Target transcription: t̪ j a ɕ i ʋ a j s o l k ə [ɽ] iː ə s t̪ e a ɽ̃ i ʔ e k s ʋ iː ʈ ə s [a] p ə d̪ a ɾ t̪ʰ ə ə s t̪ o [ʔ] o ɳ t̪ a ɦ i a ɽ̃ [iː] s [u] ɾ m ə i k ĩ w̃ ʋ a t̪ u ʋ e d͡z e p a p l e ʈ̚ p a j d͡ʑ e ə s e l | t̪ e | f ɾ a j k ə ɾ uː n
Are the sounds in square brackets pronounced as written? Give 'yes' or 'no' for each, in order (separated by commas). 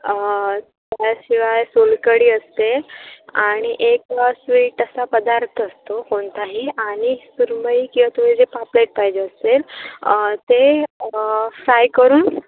yes, yes, no, no, yes